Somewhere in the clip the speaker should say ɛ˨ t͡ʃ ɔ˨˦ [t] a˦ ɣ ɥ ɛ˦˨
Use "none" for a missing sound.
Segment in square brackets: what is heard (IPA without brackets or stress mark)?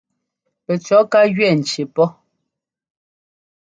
k